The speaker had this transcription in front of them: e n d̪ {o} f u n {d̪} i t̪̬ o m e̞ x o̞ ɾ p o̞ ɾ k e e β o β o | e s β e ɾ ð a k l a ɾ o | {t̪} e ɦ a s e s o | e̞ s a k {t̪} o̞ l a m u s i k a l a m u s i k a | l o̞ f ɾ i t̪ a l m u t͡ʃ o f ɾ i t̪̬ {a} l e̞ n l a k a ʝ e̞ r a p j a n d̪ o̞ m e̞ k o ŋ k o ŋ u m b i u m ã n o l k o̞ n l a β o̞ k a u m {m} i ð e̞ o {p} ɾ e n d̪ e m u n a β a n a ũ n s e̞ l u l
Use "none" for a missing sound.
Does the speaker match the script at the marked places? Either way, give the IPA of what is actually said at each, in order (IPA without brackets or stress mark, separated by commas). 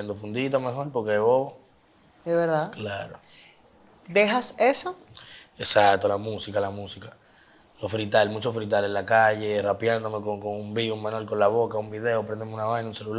o, d̪, d̪, t̪, a, b, p